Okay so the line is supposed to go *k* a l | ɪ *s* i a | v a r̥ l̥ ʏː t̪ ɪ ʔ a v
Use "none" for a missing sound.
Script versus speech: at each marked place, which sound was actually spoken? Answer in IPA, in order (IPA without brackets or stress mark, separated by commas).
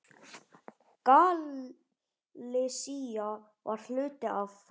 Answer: k, s